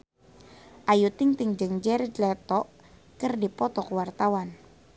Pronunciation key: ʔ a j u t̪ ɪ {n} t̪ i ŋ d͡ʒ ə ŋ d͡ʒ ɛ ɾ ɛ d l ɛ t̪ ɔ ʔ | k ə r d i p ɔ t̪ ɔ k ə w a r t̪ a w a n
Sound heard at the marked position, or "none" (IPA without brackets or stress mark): ŋ